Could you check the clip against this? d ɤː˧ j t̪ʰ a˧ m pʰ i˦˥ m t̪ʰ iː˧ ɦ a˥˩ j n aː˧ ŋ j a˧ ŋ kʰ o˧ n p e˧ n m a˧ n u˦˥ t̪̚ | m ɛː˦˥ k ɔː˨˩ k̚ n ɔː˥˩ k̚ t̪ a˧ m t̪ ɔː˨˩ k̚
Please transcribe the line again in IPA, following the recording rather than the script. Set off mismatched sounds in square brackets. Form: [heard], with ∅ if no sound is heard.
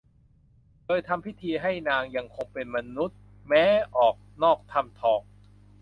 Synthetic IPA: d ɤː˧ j t̪ʰ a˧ m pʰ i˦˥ [∅] t̪ʰ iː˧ ɦ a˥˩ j n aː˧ ŋ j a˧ ŋ kʰ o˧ [ŋ] p e˧ n m a˧ n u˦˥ t̪̚ | m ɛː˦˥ [ʔ] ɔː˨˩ k̚ n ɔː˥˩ k̚ [t̪ʰ] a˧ m [t̪ʰ] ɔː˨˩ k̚

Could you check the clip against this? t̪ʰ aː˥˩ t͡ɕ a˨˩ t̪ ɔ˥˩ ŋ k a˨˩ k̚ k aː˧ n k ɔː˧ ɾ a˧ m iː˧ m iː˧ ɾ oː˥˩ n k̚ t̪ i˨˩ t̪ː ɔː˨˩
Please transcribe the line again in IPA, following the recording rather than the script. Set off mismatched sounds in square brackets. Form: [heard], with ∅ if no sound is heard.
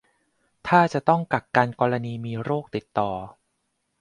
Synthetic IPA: t̪ʰ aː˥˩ t͡ɕ a˨˩ t̪ ɔ˥˩ ŋ k a˨˩ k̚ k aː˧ n k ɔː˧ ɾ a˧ [n] iː˧ m iː˧ ɾ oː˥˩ [∅] k̚ t̪ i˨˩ t̪ː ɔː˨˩

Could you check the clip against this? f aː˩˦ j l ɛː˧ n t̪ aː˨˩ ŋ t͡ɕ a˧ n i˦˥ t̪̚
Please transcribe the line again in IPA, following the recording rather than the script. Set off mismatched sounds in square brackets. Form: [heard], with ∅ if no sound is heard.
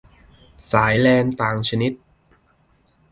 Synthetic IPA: [s] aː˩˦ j l ɛː˧ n t̪ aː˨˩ ŋ [t͡ɕʰ] a˧ n i˦˥ t̪̚

